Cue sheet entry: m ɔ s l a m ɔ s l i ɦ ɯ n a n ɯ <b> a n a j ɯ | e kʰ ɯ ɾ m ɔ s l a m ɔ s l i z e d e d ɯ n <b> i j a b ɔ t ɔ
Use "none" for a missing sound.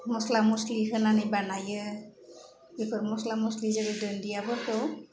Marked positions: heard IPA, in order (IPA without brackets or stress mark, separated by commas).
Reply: b, d